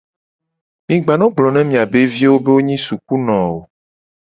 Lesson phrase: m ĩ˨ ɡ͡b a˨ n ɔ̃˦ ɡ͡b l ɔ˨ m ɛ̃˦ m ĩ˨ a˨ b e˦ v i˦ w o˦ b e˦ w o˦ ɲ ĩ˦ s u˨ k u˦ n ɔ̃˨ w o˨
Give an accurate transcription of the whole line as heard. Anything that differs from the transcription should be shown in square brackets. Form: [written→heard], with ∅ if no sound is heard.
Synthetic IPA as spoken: m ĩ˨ ɡ͡b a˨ n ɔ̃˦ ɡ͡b l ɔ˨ [m→n] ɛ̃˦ m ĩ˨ a˨ b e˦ v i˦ w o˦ b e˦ w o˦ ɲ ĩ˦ s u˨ k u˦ n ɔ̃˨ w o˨